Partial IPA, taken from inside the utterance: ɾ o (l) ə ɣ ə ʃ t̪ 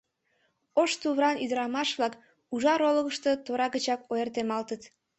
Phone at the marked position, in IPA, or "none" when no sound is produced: l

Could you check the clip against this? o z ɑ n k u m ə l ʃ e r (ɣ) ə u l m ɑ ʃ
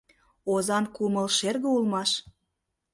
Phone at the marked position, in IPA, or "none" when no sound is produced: ɣ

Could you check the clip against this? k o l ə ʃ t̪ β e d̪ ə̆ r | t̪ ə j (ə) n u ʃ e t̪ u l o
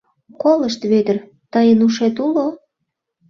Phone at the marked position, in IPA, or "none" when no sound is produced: ə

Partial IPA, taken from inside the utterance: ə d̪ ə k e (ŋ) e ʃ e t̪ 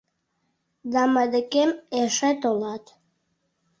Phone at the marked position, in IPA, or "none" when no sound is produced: m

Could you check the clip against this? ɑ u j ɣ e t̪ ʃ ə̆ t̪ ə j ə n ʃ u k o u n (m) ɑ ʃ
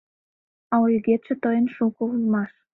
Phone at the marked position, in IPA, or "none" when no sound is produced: m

